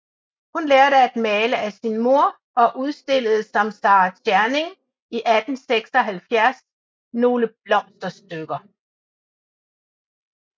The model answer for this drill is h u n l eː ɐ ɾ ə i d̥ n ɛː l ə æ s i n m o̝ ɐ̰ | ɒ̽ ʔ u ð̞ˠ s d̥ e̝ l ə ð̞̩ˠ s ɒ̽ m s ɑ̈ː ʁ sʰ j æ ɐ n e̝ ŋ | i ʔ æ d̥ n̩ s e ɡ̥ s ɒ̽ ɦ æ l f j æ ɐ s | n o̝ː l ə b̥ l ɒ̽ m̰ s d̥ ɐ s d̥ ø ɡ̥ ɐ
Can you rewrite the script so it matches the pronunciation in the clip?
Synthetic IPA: h u n l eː ɐ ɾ ə æ d̥ m ɛː l ə æ s i n m o̝ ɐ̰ | ɒ̽ ʔ u ð̞ˠ s d̥ e̝ l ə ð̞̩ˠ s ɒ̽ m s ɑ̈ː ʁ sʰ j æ ɐ n e̝ ŋ | i ʔ æ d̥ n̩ s e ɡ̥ s ɒ̽ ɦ æ l f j æ ɐ s | n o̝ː l ə b̥ l ɒ̽ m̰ s d̥ ɐ s d̥ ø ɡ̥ ɐ